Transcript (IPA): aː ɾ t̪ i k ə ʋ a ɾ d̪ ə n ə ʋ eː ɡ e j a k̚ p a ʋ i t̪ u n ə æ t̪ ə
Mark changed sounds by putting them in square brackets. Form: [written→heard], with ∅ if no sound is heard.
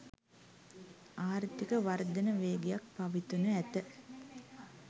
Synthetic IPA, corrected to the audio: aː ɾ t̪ i k ə ʋ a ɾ d̪ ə n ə ʋ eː ɡ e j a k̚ p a ʋ i t̪ u n ə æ t̪ ə